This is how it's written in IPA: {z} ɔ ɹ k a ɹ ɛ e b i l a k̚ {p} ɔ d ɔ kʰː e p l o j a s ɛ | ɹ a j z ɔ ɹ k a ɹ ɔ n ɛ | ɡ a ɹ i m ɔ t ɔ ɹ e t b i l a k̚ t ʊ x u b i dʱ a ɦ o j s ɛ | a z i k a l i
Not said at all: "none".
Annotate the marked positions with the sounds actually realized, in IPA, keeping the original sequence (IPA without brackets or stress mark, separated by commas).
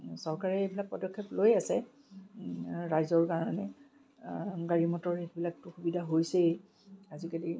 s, p